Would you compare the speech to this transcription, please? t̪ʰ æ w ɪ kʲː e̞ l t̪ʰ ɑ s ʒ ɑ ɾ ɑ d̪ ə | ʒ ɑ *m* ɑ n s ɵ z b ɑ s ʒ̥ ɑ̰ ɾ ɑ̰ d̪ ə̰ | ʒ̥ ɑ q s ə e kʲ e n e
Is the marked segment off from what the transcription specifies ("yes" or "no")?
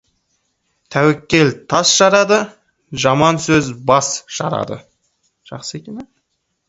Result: no